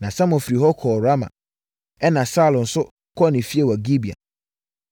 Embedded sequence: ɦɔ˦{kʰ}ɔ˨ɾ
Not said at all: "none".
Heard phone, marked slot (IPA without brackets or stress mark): kʰ